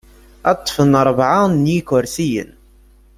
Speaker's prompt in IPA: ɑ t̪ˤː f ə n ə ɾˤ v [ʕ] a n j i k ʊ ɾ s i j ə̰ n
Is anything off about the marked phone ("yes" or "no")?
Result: no